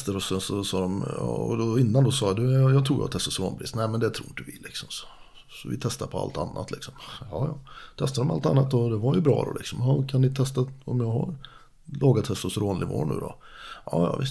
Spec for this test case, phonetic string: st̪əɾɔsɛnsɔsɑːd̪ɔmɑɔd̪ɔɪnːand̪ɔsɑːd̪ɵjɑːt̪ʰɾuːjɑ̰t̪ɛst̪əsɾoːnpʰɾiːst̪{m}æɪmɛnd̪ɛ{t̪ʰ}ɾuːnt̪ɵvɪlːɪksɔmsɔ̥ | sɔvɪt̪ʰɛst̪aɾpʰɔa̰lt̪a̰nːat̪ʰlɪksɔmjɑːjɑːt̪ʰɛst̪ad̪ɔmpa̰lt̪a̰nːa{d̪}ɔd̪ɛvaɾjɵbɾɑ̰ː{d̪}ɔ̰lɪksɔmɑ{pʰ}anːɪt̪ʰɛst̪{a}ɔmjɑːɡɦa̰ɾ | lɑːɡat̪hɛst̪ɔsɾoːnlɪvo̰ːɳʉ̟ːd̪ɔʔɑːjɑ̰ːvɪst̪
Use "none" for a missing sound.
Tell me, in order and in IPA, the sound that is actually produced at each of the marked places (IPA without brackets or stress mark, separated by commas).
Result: n, t̪ʰ, t̪, d̪, kʰ, a